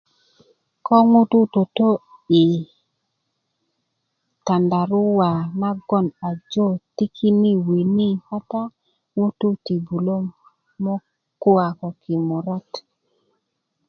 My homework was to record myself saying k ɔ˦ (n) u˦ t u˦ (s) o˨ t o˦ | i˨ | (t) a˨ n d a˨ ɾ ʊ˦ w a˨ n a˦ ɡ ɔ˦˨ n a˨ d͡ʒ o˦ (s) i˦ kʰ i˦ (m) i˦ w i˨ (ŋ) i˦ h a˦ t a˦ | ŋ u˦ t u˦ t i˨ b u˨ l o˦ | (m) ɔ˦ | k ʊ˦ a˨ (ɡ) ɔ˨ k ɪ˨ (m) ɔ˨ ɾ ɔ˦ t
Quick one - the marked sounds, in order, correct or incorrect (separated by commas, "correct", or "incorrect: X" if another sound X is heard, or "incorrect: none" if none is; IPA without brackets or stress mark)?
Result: incorrect: ŋ, incorrect: t, correct, incorrect: t, incorrect: n, incorrect: n, correct, incorrect: k, correct